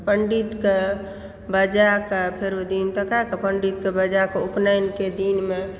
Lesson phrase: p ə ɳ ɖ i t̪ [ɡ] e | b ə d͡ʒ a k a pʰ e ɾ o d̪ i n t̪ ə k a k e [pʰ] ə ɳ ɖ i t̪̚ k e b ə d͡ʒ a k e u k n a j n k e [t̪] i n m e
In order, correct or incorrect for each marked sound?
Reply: incorrect, incorrect, incorrect

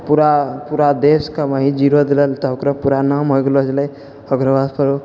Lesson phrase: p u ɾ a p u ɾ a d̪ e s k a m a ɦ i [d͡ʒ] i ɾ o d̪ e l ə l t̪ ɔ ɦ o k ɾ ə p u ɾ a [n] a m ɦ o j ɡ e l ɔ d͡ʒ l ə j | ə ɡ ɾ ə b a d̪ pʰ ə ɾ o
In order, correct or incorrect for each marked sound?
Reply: correct, correct

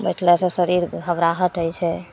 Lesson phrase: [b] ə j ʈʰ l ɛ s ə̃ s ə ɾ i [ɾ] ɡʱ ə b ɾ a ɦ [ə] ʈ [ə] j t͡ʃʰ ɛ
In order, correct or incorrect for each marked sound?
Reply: correct, correct, correct, correct

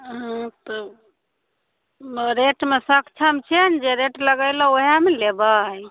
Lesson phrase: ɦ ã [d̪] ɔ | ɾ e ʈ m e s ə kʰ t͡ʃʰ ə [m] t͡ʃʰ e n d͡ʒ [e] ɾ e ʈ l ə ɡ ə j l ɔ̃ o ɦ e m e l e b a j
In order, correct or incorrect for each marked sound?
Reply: incorrect, correct, correct

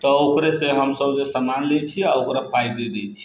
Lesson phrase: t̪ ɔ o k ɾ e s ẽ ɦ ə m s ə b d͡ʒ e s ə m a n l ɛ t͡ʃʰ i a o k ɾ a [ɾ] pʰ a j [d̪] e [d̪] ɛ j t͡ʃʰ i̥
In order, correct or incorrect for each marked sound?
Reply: incorrect, correct, correct

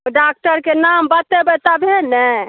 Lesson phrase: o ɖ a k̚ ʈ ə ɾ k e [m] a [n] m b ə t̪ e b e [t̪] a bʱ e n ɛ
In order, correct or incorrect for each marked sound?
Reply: incorrect, incorrect, correct

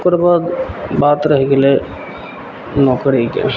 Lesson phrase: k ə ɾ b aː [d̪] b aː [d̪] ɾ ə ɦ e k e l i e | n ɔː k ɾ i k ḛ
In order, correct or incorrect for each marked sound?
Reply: correct, incorrect

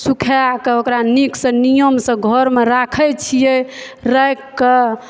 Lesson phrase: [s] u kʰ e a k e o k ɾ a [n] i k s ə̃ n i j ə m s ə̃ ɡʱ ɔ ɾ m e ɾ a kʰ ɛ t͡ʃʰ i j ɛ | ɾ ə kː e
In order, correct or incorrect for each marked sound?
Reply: correct, correct

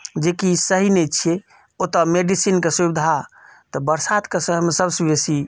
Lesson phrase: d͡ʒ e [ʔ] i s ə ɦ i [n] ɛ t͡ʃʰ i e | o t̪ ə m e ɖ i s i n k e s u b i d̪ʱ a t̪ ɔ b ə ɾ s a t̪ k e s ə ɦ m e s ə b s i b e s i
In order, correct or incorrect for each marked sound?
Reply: incorrect, correct

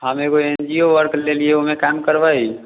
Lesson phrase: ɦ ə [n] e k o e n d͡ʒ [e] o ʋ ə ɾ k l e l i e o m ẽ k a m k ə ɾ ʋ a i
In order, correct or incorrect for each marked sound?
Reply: incorrect, incorrect

